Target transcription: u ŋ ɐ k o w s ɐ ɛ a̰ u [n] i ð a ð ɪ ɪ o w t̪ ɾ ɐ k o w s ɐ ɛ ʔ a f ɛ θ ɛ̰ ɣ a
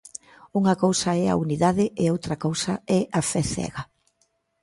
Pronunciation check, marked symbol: correct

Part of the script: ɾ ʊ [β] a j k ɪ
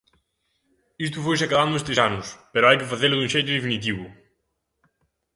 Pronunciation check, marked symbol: incorrect: none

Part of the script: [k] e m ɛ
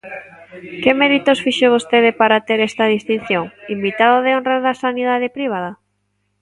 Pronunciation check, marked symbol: correct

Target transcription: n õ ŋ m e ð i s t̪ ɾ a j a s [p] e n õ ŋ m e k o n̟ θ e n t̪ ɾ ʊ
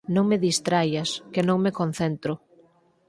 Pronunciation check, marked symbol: incorrect: k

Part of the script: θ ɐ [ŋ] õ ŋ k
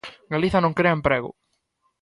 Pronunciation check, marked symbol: incorrect: n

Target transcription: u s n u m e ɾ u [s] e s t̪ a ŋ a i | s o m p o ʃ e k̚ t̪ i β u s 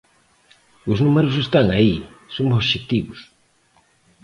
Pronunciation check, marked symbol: correct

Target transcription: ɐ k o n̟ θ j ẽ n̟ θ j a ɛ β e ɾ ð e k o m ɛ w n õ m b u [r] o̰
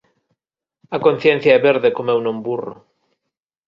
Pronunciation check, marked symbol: correct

